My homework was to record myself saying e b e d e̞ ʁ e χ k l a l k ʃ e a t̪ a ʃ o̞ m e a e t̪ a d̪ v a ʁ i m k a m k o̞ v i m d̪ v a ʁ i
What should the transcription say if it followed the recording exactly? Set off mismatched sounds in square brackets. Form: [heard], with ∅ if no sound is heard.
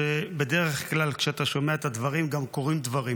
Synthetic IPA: e b e d e̞ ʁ e χ k l a l k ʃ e a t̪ a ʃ o̞ m e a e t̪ a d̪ v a ʁ i m [ɡ] a m k o̞ [ʁ] i m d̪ v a ʁ i

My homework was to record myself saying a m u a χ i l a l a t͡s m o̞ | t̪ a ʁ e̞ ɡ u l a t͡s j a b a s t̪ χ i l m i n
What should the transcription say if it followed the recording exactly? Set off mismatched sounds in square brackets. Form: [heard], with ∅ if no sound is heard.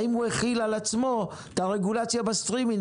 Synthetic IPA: [i] m u [e] χ i l a l a t͡s m o̞ | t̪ a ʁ e̞ ɡ u l a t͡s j a b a s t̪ [ʁ] i [∅] m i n

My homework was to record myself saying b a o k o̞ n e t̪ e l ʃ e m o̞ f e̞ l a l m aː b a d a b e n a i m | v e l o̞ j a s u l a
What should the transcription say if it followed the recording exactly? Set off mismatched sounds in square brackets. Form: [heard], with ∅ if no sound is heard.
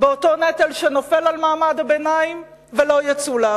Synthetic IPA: b [e] o [t] o̞ n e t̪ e l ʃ e [n] o̞ f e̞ l a l m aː [m] a d a b e n a i m | v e l o̞ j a [t͡s] u l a

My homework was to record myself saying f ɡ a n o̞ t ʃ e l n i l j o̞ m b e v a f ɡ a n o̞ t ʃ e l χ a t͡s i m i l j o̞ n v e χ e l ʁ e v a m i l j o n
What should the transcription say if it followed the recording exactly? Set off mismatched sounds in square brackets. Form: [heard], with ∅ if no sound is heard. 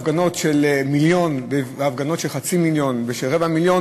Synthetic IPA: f ɡ a n o̞ t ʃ e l [m] i l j o̞ [n] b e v a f ɡ a n o̞ t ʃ e l χ a t͡s i m i l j o̞ n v e [ʃ] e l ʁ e v a m i l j o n

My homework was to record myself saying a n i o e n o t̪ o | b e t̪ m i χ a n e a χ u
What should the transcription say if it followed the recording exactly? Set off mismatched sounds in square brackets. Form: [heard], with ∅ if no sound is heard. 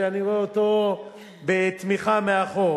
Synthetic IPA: a n i o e [∅] o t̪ o | b e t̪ m i χ a [m] e a χ [o]

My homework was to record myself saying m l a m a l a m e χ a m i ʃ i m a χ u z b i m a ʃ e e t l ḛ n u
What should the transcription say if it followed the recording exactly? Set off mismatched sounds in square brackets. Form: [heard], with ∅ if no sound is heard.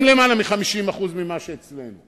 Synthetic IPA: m l [e] m a l a m [i] χ a m i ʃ i m a χ u z [m] i m a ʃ e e [t͡s] l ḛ n u

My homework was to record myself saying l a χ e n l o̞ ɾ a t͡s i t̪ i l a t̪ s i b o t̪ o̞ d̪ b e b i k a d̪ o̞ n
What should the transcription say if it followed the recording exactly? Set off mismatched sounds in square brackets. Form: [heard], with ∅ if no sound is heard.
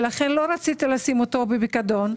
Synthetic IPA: l a χ e n l o̞ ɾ a t͡s i t̪ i l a [∅] s i [m] o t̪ o̞ [∅] b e b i k a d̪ o̞ n

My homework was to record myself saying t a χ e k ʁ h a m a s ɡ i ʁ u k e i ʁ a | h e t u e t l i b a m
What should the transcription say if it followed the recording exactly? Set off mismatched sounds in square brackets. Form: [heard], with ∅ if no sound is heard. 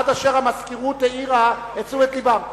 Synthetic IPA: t a [ʃ] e [∅] ʁ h a m a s [k] i ʁ u [t] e i ʁ a | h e [t͡s] u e t l i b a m

